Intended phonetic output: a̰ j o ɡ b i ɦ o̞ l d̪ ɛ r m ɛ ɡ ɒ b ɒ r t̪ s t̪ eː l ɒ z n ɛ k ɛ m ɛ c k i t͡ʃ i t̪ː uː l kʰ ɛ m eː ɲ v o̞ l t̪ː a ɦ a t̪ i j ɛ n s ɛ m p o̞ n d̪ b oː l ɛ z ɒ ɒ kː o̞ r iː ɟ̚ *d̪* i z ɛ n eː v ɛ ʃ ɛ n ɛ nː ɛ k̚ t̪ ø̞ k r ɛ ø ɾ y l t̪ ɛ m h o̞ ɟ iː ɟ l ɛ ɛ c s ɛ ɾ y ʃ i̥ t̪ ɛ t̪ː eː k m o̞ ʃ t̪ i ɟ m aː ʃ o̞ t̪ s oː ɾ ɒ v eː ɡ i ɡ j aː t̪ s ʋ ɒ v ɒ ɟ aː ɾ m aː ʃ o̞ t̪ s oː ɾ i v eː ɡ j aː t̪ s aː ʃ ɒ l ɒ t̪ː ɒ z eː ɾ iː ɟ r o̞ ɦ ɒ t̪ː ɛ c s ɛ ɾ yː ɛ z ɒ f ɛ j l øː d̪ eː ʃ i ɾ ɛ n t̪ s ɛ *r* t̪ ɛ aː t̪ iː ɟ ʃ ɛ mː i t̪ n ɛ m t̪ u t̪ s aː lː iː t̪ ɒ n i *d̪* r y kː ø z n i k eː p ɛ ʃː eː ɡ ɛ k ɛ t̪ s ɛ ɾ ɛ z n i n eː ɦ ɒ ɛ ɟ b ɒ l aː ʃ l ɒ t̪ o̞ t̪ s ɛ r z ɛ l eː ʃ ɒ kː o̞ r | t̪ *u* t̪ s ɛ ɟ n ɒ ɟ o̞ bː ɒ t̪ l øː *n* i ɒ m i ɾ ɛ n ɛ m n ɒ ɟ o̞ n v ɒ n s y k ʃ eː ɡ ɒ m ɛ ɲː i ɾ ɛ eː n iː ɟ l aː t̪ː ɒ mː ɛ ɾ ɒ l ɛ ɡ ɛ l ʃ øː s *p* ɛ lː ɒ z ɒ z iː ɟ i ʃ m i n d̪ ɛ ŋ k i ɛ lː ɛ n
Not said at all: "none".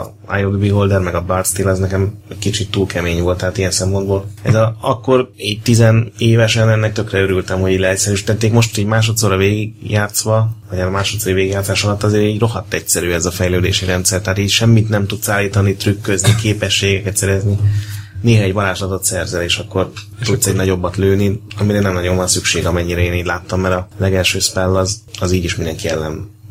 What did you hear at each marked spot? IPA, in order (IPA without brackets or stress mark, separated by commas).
t̪, r, t̪, u, n, p